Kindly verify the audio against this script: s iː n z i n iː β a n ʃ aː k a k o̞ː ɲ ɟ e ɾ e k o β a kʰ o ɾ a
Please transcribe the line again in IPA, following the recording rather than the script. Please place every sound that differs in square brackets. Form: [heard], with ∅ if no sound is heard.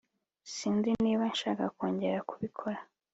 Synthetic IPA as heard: s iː n z i n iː β a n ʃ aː k a k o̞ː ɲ ɟ e ɾ [a] k [u] β [i] kʰ o ɾ a